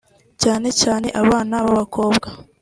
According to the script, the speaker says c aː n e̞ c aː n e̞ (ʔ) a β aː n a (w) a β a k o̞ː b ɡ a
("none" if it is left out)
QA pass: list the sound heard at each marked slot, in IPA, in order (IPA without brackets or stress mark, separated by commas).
ʔ, β